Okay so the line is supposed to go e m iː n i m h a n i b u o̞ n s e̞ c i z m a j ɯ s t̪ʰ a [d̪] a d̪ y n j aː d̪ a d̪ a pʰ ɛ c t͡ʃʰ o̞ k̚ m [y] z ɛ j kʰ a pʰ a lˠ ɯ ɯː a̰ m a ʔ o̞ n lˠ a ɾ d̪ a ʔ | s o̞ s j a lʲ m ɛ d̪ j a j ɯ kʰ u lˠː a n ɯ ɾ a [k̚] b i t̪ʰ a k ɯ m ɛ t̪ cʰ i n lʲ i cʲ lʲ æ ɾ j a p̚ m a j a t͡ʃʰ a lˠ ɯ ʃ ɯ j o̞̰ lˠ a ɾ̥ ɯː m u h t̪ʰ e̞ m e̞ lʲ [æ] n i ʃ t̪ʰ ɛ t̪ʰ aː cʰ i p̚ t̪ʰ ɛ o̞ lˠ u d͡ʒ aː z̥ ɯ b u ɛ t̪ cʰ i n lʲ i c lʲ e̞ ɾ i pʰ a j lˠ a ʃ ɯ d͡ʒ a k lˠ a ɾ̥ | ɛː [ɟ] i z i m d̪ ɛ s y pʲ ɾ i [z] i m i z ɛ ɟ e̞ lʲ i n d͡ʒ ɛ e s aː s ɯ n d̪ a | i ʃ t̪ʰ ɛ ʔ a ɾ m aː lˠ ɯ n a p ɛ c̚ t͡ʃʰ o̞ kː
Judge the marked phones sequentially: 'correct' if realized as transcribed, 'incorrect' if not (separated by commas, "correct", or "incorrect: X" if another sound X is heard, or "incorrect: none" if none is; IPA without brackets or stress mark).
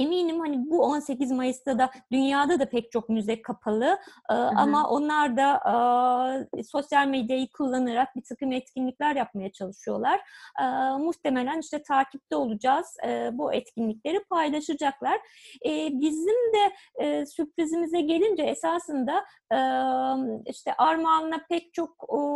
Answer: correct, correct, correct, correct, incorrect: b, correct